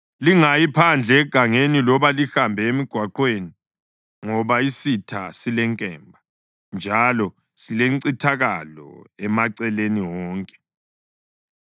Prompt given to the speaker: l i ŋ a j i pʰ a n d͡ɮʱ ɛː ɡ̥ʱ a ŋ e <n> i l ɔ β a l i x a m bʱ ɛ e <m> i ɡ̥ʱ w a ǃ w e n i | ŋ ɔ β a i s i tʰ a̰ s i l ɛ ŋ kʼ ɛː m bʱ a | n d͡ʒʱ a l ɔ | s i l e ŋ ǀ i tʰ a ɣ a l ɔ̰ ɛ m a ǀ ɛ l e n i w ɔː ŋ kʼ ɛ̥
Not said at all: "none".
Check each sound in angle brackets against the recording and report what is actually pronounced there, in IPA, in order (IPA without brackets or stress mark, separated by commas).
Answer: n, m